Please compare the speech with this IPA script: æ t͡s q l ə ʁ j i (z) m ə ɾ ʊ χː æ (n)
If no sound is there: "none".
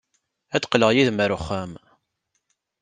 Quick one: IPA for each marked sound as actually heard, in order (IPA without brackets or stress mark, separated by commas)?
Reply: ð, m